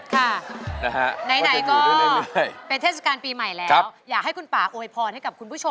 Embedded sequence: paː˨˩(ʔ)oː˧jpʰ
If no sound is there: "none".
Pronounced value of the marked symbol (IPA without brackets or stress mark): ʔ